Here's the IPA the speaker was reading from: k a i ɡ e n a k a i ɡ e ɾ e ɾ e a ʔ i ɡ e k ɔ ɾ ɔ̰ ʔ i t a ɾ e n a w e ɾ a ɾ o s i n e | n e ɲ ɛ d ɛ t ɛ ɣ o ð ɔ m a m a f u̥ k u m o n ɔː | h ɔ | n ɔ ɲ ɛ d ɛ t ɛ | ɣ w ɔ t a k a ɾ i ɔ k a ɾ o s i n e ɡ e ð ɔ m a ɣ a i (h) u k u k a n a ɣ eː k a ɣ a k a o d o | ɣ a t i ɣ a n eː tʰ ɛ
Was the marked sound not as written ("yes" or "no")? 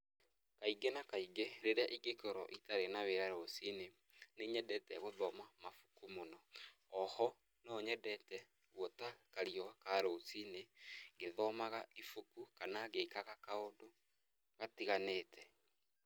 yes